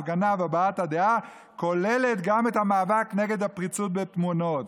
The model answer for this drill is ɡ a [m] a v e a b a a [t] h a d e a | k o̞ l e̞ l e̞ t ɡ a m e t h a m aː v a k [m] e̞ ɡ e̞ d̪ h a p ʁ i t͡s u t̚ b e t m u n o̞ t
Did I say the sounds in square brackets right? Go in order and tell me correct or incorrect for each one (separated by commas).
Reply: incorrect, correct, incorrect